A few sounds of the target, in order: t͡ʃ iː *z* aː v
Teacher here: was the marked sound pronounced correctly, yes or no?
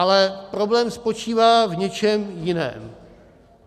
no